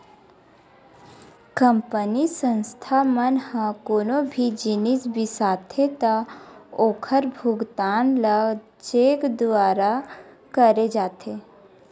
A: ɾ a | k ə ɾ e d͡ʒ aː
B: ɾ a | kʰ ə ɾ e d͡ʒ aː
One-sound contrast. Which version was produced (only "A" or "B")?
A